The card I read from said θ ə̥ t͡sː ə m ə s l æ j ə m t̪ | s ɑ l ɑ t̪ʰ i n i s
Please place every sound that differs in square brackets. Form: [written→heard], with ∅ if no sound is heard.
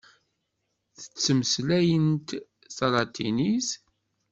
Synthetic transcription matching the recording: θ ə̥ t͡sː ə m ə s l æ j ə [m→n] t̪ | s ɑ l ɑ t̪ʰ i n i s